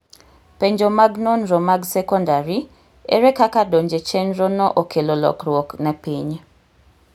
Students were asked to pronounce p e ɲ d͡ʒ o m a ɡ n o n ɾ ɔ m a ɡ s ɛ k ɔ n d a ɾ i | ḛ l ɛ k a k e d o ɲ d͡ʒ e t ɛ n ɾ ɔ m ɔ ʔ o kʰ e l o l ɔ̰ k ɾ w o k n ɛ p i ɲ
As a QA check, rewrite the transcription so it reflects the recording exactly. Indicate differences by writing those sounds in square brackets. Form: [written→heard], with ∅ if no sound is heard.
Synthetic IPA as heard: p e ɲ d͡ʒ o m a ɡ n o n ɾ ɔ m a ɡ s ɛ k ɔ n d a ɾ i | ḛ [l→ɾ] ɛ k a k [e→a] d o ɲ d͡ʒ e [t→t͡ʃ] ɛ n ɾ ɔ [m→n] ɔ ʔ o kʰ e l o l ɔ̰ k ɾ w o k n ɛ p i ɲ